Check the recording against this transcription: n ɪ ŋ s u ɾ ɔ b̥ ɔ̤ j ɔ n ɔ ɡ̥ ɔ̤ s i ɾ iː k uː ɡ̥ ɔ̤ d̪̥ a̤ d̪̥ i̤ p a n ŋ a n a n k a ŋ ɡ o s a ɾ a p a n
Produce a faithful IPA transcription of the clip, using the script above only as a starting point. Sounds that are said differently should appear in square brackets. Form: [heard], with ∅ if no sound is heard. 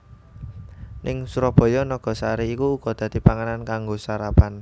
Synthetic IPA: n ɪ ŋ s u ɾ ɔ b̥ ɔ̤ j ɔ n ɔ ɡ̥ ɔ̤ s [a] ɾ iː k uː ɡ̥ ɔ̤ d̪̥ a̤ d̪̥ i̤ p a [∅] ŋ a n a n k a ŋ ɡ o s a ɾ a p a n